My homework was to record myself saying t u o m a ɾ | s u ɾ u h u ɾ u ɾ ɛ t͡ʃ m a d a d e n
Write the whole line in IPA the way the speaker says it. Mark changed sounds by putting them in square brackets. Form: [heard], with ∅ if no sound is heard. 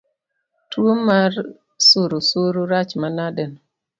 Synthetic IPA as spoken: t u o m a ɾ | s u ɾ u [s] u ɾ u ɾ [a] t͡ʃ m a [n] a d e n